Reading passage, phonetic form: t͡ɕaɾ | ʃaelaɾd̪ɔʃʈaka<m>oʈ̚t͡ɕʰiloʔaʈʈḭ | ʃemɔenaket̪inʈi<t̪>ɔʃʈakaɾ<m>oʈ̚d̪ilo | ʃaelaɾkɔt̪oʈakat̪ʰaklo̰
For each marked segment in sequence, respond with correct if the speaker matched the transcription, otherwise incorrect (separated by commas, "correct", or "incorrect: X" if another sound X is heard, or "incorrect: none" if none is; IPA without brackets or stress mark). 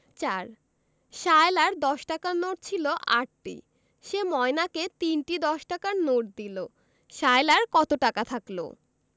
incorrect: n, incorrect: d̪, incorrect: n